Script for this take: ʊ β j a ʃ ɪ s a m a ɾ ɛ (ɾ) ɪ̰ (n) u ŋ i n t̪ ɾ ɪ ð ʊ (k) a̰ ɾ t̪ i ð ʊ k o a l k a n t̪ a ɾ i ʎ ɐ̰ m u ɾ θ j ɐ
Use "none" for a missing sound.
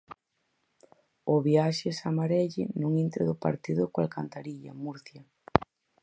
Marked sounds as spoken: ʎ, n, p

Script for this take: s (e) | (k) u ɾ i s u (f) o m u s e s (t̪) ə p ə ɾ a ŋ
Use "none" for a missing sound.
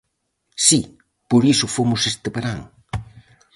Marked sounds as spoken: i, p, f, t̪

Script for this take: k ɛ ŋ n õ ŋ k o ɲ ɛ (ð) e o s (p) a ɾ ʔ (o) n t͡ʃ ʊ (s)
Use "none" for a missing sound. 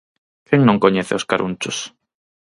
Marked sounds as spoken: θ, k, u, s

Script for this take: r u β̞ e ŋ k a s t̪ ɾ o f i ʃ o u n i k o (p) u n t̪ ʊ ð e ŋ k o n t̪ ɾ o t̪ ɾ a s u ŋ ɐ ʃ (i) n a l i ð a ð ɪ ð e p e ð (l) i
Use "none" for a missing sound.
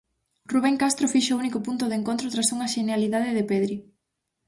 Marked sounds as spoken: p, e, ɾ

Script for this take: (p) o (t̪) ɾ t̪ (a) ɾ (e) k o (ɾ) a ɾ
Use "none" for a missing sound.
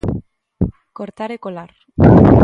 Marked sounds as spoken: k, none, a, e, l

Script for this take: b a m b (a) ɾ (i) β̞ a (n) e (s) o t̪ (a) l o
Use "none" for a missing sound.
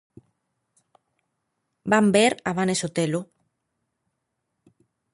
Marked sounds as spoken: e, a, n, s, e

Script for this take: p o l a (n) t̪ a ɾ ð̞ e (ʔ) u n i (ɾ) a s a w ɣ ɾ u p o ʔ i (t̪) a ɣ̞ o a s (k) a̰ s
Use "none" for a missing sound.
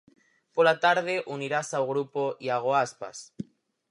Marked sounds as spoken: none, ʔ, ɾ, none, p

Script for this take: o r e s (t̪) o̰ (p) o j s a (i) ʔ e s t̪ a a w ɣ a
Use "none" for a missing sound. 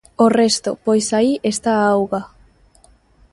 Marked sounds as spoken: t̪, p, i

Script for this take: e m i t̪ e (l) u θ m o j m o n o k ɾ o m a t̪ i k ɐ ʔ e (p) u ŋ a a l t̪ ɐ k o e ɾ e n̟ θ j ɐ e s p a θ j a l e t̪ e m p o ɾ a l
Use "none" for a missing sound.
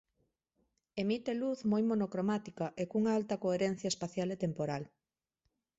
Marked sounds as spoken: l, k

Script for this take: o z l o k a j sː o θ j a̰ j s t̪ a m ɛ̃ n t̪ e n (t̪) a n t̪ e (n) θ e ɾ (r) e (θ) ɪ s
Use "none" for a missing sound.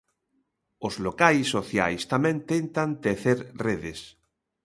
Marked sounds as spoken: t̪, none, r, ð

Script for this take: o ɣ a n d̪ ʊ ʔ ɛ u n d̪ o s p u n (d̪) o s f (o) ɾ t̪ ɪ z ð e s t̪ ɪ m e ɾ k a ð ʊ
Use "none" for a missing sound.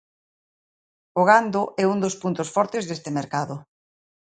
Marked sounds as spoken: t̪, ɔ

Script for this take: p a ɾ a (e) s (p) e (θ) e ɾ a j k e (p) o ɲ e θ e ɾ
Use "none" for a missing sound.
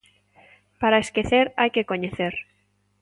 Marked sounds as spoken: e, k, θ, k

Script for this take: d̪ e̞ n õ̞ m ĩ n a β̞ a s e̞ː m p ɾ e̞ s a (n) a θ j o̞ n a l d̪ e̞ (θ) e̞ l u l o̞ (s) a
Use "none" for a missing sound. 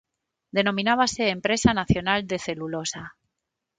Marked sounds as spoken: n, θ, s

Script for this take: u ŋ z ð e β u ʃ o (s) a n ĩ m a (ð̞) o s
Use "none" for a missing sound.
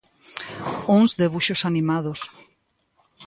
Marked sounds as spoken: s, ð̞

